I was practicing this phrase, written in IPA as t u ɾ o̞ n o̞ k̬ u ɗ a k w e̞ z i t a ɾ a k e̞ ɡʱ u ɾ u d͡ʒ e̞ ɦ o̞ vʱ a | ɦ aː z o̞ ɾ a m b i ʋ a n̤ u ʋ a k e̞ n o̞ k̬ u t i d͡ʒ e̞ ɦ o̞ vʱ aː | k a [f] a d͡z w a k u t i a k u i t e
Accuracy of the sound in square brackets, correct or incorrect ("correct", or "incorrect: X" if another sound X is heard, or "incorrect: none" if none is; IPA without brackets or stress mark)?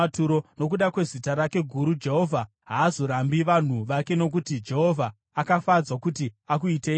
correct